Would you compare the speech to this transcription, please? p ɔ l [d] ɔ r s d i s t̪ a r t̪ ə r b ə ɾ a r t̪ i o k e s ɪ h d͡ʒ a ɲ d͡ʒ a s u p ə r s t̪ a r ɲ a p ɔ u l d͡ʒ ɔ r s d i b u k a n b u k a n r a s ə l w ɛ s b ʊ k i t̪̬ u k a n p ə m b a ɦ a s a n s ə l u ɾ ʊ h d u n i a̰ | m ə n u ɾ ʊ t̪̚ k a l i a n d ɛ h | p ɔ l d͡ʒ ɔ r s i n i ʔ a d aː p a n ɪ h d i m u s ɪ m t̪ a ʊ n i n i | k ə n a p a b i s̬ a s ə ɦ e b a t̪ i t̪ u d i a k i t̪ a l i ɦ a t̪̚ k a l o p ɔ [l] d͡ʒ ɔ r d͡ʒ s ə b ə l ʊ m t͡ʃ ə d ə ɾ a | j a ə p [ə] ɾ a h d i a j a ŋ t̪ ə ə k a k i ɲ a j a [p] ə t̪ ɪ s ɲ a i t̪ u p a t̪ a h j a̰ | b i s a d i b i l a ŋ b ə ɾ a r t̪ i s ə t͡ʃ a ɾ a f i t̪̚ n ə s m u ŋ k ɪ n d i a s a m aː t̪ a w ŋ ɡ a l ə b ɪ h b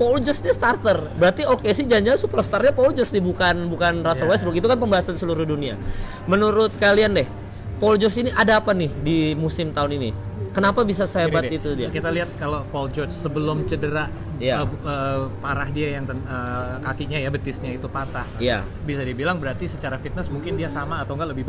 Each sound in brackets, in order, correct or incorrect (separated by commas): incorrect, correct, incorrect, incorrect